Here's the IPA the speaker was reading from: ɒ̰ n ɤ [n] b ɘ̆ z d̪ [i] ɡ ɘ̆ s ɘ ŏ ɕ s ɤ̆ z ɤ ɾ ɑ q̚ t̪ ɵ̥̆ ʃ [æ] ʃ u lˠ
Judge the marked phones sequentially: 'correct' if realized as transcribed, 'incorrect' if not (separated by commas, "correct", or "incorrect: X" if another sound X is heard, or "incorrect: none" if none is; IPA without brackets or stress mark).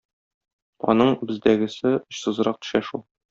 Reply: incorrect: ɴ, incorrect: æ, correct